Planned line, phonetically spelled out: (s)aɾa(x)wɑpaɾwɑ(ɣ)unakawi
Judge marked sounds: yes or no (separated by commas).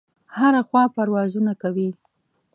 no, yes, no